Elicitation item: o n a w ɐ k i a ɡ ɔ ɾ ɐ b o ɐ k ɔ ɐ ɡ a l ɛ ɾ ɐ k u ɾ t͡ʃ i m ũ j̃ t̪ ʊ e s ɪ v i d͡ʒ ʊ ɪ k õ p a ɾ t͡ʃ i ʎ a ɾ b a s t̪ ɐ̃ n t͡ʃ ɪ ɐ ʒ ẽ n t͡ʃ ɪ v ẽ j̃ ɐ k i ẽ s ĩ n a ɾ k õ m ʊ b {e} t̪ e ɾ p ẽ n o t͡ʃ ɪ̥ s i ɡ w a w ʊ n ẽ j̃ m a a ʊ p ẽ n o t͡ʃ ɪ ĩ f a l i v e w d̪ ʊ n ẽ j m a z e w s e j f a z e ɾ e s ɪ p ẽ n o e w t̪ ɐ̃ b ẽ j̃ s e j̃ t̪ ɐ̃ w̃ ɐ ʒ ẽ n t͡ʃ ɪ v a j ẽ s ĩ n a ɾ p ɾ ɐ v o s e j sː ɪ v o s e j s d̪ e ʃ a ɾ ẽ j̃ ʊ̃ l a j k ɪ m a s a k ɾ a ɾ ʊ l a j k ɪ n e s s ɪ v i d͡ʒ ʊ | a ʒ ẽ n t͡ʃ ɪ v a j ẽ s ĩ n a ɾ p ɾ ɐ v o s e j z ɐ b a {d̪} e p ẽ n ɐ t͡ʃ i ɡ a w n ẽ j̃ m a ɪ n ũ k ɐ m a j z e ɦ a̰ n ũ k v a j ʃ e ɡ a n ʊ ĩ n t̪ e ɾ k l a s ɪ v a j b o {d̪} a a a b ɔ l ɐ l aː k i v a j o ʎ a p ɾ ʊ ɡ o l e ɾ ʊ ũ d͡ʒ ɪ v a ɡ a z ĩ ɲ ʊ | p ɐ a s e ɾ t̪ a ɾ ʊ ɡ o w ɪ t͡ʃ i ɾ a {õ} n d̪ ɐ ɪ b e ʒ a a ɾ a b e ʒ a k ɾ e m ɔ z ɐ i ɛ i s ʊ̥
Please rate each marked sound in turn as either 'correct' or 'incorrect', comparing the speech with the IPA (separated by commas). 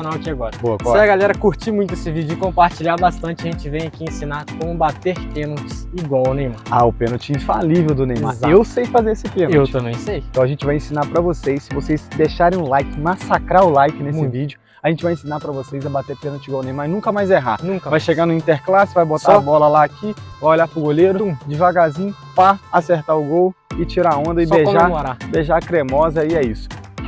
incorrect, incorrect, incorrect, correct